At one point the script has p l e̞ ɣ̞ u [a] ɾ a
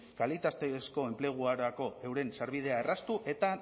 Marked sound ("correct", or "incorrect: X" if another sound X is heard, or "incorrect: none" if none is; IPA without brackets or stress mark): correct